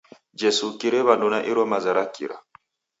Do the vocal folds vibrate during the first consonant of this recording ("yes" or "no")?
yes